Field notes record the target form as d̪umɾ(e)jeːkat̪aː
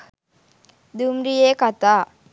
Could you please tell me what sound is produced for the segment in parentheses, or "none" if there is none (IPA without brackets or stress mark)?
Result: i